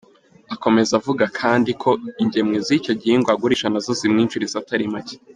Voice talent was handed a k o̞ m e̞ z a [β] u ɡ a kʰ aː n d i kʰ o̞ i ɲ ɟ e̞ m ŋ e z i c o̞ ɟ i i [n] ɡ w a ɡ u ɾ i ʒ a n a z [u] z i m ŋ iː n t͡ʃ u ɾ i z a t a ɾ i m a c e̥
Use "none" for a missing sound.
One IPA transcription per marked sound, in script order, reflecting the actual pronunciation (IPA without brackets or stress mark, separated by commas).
v, ŋ, o